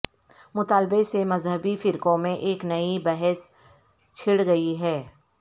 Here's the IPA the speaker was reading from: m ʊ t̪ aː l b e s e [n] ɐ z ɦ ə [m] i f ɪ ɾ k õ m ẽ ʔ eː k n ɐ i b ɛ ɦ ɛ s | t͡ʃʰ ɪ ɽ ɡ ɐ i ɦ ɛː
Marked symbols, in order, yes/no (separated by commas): no, no